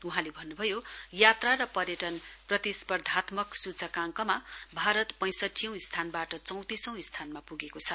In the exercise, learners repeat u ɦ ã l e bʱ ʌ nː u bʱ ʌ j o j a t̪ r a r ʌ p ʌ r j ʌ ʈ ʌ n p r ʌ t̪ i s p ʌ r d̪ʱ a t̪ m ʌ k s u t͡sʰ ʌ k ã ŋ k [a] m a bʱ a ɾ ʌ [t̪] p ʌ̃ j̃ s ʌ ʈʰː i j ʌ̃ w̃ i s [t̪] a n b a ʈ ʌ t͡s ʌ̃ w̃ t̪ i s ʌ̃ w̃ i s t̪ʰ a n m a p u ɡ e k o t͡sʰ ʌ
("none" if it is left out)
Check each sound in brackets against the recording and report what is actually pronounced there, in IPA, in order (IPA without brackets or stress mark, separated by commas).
ʌ, t̪, t̪ʰ